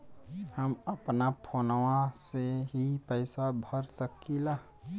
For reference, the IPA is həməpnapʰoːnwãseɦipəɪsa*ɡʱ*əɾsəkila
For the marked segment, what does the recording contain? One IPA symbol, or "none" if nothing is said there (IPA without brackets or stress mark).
bʱ